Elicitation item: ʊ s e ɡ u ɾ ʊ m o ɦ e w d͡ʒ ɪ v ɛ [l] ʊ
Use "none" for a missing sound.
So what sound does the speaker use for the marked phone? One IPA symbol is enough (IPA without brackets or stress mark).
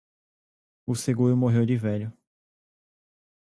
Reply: ʎ